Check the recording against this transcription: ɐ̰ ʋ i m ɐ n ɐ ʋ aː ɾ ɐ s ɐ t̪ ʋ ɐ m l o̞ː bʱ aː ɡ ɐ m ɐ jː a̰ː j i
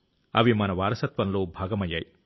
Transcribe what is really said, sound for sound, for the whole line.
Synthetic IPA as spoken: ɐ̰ ʋ i m ɐ n ɐ ʋ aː ɾ ɐ s ɐ t̪ ʋ ɐ n l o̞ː bʱ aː ɡ ɐ m ɐ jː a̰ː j i